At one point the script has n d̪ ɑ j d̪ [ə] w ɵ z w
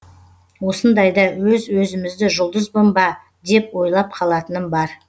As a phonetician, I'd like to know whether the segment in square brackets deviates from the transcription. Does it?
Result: yes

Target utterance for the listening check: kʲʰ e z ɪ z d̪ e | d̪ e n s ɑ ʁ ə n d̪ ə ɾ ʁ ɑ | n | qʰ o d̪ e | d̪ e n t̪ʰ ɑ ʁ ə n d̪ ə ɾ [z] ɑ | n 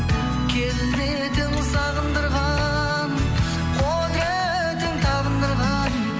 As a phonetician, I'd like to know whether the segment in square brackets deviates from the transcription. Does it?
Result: yes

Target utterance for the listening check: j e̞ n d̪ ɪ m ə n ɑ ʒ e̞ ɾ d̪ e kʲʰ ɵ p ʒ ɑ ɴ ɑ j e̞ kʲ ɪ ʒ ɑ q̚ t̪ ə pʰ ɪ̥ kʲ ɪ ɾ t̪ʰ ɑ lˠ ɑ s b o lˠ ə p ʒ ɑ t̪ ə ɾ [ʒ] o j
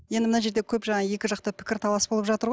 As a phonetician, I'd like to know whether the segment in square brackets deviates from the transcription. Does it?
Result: yes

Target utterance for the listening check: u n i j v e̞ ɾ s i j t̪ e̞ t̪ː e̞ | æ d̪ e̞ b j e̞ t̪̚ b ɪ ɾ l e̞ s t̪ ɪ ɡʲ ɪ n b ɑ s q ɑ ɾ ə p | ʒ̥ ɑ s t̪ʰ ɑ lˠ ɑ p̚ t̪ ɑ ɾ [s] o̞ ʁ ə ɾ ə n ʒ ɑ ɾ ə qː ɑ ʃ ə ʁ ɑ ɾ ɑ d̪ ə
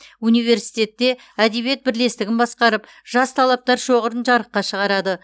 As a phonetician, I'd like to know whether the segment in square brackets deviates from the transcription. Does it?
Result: yes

